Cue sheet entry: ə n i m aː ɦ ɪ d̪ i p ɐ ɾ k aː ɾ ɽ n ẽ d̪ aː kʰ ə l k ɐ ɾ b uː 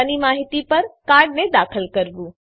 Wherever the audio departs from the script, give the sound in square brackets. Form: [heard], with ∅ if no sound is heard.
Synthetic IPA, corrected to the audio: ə n i m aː ɦ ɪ [t̪] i p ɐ ɾ k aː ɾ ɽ n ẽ d̪ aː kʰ ə l k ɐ ɾ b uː